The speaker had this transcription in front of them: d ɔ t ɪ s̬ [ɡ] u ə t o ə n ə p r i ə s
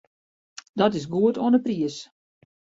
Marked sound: correct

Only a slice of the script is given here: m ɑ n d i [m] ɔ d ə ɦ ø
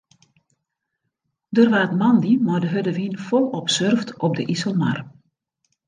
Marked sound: correct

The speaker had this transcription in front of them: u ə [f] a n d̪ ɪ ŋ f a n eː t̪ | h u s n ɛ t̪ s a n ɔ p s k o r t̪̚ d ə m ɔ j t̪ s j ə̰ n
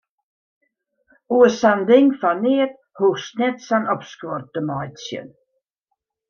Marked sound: incorrect: s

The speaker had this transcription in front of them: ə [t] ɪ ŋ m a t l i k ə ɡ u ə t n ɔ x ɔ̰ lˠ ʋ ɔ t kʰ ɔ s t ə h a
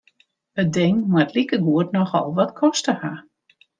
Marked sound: incorrect: d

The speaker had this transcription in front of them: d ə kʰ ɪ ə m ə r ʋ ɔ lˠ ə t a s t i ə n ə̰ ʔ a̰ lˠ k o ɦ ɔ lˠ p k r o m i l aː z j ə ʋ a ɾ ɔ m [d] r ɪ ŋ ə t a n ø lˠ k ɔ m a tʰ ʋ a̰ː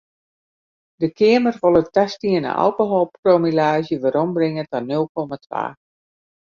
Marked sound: incorrect: b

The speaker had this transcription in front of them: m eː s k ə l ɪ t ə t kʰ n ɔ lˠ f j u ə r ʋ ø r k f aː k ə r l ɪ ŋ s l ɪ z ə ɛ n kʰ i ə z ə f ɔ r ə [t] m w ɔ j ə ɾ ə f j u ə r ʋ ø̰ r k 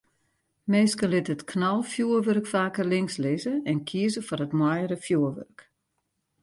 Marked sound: correct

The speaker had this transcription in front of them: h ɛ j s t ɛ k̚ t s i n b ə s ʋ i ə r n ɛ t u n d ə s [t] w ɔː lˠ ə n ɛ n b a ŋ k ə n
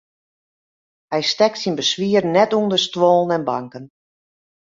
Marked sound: correct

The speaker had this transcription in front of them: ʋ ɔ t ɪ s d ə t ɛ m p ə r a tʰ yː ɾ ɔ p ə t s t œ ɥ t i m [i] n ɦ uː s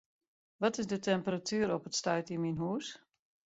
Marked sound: correct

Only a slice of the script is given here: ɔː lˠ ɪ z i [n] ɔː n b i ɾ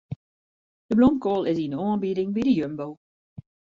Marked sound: correct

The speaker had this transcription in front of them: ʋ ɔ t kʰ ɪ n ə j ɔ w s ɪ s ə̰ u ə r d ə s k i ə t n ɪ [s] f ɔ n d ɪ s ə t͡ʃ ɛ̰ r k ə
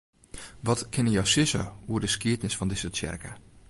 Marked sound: correct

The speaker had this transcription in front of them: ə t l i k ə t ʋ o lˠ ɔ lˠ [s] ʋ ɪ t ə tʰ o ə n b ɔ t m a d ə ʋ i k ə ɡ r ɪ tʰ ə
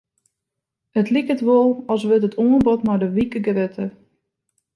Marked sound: correct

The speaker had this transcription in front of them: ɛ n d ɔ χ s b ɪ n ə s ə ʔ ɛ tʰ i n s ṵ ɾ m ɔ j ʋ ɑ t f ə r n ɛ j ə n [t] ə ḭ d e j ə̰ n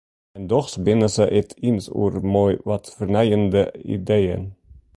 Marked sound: incorrect: d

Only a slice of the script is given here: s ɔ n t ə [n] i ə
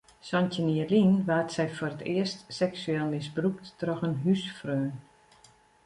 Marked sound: correct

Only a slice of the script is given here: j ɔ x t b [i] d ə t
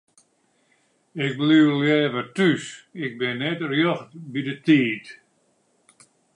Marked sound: correct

